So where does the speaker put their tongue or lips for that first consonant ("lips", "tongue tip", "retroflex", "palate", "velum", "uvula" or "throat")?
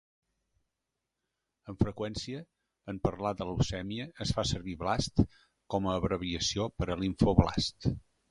lips